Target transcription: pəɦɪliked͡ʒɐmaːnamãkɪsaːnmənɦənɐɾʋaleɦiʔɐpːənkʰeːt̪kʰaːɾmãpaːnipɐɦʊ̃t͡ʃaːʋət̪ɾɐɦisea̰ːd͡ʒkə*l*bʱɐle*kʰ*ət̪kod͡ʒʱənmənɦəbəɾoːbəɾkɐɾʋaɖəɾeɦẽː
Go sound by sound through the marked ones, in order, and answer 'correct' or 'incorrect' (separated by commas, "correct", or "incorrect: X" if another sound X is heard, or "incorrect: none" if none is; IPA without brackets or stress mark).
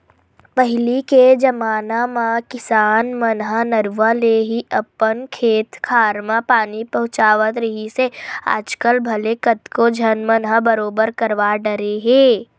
correct, incorrect: k